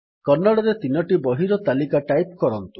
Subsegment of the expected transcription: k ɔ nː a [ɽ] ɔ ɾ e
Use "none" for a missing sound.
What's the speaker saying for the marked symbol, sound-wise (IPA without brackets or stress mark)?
ɽ